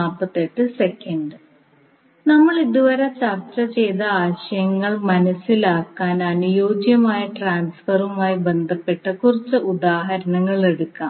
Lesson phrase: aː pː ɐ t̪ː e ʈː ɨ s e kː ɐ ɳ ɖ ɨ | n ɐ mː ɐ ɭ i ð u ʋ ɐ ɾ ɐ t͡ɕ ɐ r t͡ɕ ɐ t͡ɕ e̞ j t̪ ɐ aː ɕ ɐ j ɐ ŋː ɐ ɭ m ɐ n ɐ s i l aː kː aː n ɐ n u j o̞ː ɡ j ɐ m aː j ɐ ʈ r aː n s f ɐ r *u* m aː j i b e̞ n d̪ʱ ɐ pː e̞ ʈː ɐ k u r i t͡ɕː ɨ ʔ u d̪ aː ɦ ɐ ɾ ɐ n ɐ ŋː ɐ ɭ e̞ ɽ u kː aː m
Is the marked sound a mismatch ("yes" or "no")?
no